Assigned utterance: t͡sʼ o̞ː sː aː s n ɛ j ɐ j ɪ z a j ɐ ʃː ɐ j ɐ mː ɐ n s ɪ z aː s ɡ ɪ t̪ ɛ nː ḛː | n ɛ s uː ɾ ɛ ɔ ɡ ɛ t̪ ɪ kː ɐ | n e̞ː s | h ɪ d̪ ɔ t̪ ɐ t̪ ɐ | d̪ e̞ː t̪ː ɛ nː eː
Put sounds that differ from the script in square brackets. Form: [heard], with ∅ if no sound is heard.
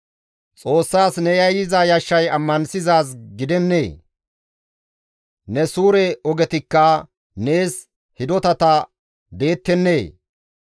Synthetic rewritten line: t͡sʼ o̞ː sː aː s n ɛ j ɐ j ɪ z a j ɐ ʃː ɐ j ɐ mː ɐ n s ɪ z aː s ɡ ɪ [d̪] ɛ nː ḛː | n ɛ s uː ɾ ɛ ɔ ɡ ɛ t̪ ɪ kː ɐ | n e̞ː s | h ɪ d̪ ɔ t̪ ɐ t̪ ɐ | d̪ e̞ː t̪ː ɛ nː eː